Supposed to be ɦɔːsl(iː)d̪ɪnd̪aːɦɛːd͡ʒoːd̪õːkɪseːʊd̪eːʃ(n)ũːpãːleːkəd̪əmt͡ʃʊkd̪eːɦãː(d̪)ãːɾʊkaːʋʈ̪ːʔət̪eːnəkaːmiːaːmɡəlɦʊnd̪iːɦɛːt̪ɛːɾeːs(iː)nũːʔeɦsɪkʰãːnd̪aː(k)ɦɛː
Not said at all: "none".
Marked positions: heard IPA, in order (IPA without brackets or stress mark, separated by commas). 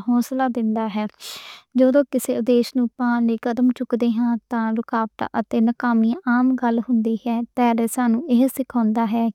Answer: aː, n, t̪, aː, none